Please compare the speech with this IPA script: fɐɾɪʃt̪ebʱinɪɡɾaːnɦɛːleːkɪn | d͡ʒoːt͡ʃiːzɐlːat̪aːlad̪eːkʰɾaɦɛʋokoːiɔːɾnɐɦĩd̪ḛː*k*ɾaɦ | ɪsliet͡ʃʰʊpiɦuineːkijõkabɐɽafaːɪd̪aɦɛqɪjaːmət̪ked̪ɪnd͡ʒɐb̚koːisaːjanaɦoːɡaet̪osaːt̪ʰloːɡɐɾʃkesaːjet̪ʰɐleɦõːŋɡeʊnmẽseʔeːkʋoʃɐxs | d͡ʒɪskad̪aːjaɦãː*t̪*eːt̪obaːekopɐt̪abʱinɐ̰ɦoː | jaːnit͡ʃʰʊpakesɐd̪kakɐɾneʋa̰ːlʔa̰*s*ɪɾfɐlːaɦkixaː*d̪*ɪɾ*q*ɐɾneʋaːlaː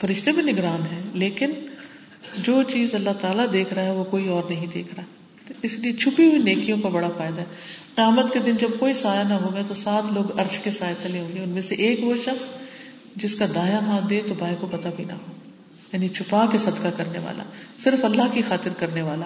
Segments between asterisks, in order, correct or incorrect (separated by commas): incorrect, incorrect, correct, incorrect, incorrect